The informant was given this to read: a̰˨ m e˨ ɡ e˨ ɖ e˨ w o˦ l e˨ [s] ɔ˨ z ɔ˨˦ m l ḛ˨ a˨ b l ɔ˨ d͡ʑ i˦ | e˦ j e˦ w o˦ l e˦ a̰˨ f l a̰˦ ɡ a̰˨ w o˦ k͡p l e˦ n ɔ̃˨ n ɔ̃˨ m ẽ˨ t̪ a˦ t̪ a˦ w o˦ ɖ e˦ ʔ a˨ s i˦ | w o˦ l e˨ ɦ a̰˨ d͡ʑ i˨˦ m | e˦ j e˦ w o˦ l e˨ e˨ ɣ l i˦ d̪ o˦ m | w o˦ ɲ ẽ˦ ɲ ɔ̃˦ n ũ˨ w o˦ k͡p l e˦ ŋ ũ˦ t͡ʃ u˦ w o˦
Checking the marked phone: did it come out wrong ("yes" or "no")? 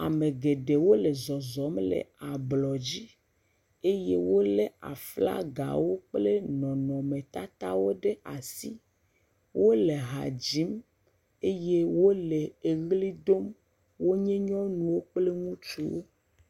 yes